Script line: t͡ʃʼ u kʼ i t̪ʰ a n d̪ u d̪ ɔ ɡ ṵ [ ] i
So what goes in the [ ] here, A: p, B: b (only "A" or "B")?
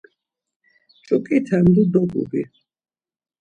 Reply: B